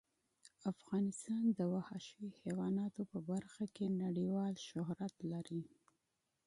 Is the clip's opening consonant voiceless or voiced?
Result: voiceless